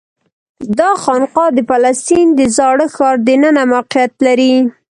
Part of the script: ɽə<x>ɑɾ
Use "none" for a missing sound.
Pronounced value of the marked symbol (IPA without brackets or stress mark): x